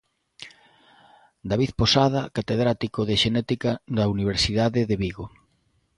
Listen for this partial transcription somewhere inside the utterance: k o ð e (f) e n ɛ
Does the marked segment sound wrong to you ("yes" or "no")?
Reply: yes